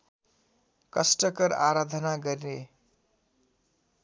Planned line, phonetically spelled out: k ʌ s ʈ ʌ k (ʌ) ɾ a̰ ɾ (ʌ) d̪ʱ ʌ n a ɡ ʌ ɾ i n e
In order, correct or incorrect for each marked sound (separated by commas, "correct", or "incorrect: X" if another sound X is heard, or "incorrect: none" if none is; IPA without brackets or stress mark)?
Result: correct, incorrect: a